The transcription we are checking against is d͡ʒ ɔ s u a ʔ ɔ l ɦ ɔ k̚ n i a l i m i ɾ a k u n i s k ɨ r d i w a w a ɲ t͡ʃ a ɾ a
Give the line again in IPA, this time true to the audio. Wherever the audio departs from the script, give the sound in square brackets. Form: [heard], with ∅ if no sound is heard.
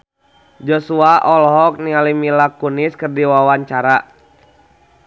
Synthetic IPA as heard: d͡ʒ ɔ s u a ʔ ɔ l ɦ ɔ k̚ n i a l i m i [l] a k u n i s k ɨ r d i w a w a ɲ t͡ʃ a ɾ a